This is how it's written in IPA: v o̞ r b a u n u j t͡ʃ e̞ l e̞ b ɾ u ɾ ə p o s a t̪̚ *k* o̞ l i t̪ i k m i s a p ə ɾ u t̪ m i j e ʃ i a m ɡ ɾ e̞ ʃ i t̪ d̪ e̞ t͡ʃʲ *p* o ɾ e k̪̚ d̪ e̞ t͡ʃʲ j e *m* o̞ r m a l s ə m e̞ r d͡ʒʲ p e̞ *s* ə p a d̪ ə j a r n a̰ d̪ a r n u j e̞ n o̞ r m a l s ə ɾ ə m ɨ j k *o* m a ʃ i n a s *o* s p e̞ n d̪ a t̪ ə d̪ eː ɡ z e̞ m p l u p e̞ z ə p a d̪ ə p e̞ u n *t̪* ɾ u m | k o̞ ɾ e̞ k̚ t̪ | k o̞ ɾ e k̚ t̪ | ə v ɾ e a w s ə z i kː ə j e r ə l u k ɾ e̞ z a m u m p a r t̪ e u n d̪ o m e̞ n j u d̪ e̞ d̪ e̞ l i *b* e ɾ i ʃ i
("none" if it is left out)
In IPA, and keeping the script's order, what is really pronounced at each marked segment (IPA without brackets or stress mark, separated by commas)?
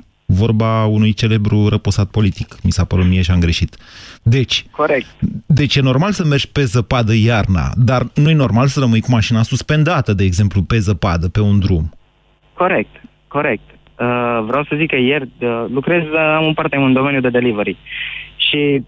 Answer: p, k, n, z, u, u, d̪, v